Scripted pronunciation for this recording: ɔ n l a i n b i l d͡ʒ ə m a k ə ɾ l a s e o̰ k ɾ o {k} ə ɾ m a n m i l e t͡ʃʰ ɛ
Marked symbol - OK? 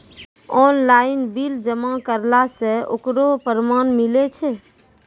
no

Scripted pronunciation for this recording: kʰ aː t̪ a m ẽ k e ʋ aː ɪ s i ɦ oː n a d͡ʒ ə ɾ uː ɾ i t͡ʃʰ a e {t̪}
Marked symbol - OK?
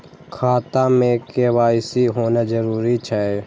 no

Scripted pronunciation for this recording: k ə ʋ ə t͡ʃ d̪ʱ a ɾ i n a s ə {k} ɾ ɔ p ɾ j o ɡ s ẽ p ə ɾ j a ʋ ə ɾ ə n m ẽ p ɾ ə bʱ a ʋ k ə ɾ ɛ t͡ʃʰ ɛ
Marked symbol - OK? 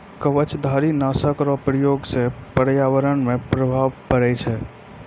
yes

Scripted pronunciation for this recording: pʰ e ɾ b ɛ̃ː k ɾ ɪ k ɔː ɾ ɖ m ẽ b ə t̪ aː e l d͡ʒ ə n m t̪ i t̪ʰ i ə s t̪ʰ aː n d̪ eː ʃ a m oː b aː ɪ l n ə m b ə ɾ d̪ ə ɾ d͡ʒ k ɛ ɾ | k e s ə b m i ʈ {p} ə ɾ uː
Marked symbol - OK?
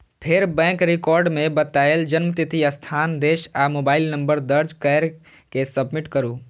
no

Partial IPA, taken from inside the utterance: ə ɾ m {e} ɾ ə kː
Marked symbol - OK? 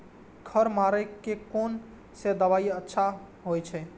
no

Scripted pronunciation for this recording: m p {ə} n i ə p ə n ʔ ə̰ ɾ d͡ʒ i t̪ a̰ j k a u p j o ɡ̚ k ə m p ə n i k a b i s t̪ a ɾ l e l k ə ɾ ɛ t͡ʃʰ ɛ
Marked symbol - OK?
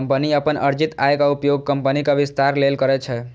yes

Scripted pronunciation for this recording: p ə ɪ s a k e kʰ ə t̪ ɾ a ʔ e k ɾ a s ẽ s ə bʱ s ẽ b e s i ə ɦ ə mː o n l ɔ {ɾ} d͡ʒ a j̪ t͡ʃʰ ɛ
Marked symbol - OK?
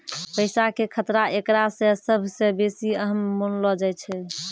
no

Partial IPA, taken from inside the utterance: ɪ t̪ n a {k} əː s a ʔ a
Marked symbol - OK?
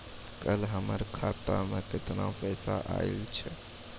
no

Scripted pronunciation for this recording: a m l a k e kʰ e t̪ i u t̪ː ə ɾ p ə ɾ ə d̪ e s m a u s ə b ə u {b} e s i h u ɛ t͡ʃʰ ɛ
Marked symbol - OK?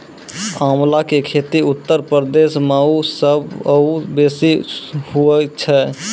yes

